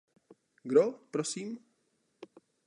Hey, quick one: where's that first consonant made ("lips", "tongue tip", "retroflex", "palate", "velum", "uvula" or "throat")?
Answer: velum